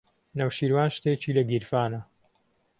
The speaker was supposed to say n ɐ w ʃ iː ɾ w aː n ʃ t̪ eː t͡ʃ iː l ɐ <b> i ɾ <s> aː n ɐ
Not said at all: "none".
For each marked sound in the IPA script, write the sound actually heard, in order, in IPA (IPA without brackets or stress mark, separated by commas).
ɡ, f